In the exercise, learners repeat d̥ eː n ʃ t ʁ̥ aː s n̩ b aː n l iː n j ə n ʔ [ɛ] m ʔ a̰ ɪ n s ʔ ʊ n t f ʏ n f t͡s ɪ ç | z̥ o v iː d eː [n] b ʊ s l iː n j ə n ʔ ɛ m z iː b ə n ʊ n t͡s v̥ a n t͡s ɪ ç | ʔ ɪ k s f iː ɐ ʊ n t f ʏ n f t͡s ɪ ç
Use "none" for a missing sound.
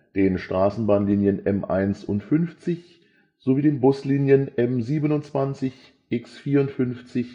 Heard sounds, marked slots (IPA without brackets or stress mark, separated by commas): ɛ, n